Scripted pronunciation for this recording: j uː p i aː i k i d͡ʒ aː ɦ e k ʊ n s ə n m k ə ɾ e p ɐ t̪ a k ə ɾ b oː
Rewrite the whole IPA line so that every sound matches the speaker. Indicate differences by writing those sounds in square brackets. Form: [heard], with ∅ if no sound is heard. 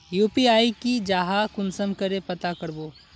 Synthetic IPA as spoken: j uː p i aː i k i d͡ʒ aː ɦ [a] k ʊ n s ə [∅] m k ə ɾ e p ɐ t̪ a k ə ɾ b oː